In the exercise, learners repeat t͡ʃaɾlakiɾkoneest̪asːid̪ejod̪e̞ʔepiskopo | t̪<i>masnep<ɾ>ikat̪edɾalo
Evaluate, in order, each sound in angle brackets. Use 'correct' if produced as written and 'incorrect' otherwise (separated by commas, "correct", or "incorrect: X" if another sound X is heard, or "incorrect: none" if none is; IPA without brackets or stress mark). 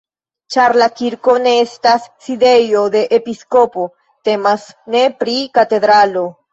incorrect: e, correct